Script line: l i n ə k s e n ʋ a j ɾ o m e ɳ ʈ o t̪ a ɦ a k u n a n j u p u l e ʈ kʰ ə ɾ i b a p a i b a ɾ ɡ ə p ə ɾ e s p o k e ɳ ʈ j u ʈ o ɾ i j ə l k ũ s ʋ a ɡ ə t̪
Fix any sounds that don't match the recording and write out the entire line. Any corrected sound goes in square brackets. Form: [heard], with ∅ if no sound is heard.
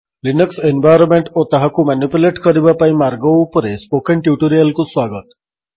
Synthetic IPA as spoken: l i n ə k s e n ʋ a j ɾ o m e ɳ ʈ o t̪ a ɦ a k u [m] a n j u p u l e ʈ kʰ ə ɾ i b a p a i [m] a ɾ ɡ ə p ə ɾ e s p o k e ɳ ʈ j u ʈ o ɾ i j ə l k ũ s ʋ a ɡ ə t̪